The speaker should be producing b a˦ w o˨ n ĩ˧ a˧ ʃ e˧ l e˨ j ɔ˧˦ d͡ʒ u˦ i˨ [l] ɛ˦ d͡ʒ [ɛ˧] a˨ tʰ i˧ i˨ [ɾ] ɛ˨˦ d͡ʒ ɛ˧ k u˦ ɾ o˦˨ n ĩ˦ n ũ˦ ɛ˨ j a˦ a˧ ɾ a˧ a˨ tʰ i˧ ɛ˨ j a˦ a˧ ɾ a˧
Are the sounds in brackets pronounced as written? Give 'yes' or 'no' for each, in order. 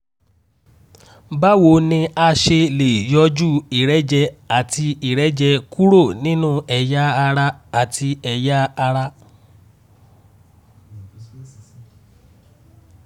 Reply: no, yes, yes

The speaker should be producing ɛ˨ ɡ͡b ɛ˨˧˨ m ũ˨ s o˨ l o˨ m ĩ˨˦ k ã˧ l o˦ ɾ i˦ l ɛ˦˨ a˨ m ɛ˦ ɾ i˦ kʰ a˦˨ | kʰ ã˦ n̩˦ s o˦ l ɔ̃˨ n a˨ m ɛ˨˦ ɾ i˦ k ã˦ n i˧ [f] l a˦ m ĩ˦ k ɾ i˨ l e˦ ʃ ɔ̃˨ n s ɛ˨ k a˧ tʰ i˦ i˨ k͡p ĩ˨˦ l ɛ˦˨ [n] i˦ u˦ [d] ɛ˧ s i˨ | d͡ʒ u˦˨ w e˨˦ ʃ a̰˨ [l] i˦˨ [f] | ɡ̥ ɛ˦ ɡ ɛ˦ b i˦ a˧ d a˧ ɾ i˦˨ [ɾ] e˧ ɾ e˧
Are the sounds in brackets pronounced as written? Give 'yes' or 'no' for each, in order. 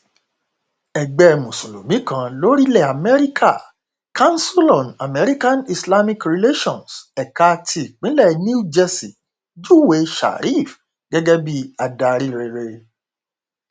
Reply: no, yes, no, no, yes, yes

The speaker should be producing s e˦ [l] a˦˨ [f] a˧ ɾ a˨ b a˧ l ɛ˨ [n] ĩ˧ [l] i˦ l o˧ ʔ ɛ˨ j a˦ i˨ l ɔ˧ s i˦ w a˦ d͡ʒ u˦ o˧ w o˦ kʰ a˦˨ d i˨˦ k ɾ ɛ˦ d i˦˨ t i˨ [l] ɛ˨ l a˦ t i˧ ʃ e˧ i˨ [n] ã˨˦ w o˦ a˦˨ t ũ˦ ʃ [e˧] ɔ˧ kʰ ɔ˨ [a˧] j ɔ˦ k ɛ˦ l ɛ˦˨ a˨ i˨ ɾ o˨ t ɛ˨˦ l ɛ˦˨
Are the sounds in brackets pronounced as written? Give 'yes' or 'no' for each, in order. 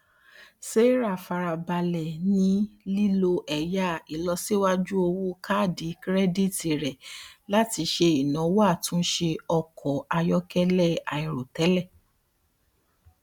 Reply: no, yes, yes, yes, no, yes, yes, yes

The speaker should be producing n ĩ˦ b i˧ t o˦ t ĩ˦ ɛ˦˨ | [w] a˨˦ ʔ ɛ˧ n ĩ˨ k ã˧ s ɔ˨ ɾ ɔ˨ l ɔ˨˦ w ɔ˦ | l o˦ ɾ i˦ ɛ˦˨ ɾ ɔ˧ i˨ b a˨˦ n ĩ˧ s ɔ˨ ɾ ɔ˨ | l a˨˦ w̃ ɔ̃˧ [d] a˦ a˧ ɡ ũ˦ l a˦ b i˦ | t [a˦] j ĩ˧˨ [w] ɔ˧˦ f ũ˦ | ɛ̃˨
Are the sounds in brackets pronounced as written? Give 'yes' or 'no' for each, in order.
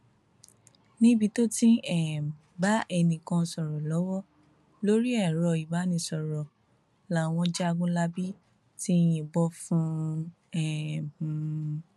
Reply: no, no, no, no

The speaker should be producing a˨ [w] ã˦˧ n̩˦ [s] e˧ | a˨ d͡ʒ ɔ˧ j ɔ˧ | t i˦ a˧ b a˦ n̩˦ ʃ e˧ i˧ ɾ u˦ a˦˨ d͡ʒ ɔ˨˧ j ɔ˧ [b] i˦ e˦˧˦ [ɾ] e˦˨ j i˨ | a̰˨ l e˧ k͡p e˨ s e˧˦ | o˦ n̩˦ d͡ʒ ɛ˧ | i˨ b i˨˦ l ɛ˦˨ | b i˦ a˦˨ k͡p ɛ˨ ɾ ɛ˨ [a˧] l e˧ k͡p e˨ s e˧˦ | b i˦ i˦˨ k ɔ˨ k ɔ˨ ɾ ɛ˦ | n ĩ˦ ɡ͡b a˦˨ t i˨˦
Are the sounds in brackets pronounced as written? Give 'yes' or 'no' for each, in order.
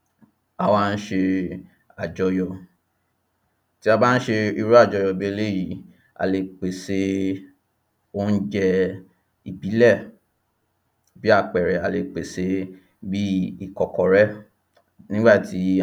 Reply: yes, no, yes, no, yes

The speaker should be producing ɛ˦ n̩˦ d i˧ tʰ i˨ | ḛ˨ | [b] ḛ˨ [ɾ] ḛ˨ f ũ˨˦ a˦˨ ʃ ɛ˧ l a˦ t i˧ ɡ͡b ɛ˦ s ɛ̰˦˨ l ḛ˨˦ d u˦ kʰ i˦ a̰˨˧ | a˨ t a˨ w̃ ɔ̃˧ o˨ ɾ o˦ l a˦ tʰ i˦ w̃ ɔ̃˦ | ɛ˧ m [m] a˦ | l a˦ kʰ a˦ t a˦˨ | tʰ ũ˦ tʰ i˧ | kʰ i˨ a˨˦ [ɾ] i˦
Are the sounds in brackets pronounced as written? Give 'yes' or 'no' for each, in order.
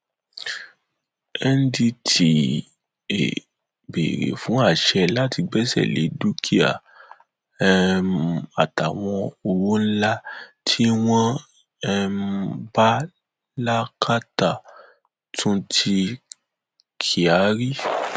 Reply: yes, yes, no, yes

